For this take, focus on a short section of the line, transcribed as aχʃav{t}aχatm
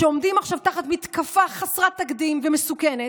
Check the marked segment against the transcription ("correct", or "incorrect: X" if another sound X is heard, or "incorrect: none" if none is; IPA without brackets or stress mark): correct